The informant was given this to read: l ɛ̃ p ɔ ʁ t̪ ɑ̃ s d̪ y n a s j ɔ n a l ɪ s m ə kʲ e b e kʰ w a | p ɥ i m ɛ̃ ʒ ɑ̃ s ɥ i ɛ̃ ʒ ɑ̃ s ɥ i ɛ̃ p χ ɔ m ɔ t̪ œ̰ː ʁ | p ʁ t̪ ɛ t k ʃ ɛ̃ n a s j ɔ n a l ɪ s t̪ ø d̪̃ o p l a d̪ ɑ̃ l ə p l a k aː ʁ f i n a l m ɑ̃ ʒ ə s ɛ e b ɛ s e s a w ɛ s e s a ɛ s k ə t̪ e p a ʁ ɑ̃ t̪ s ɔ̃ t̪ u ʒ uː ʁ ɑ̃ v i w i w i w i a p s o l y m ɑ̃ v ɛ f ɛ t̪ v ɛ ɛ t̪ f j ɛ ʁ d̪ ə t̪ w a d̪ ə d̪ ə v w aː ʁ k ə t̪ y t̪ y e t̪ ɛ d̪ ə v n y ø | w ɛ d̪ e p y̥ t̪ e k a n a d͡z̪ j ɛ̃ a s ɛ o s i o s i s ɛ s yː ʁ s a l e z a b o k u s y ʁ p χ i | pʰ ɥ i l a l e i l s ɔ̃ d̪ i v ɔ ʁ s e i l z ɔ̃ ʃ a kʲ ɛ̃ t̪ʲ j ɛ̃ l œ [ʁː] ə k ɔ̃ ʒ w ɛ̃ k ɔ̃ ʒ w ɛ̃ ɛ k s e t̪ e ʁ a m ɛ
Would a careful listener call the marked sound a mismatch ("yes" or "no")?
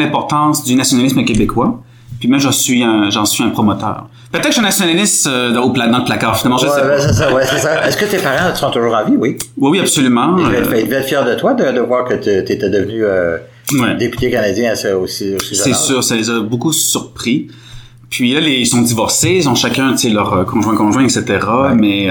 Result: yes